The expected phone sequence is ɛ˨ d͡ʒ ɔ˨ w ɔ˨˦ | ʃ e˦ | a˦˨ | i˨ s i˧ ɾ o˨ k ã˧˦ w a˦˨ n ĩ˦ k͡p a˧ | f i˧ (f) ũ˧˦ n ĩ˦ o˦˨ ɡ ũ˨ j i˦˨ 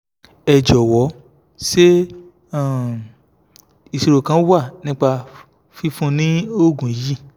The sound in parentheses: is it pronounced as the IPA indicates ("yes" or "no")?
yes